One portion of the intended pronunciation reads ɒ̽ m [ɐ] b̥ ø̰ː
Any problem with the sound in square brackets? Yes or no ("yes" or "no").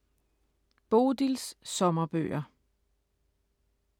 no